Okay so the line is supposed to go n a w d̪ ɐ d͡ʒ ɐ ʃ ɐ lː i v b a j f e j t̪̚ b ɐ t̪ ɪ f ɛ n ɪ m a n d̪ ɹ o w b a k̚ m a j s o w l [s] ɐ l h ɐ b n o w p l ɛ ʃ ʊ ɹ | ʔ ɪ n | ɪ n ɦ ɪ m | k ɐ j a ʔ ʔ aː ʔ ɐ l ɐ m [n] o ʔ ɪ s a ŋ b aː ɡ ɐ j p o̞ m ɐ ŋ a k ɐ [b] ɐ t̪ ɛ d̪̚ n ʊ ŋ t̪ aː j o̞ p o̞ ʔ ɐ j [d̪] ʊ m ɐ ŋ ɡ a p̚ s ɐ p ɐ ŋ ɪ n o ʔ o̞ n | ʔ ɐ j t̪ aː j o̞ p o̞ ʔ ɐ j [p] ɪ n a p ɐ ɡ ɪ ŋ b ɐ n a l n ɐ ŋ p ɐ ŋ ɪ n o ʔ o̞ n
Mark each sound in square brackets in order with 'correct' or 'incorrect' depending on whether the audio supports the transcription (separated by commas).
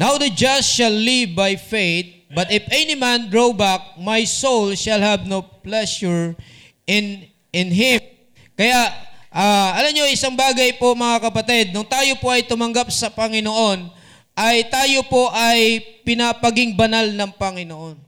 incorrect, incorrect, incorrect, incorrect, correct